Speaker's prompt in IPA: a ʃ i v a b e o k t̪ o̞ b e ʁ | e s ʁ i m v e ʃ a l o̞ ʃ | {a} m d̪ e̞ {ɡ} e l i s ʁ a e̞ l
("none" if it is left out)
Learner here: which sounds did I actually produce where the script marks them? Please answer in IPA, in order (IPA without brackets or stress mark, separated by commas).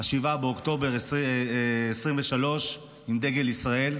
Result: i, ɡ